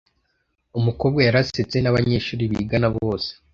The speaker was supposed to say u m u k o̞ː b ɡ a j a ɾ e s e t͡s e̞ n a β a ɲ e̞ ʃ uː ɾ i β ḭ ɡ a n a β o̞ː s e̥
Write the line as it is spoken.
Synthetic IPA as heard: u m u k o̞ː b ɡ a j a ɾ a s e t͡s e̞ n a β a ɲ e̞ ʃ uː ɾ i β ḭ ɡ a n a β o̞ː s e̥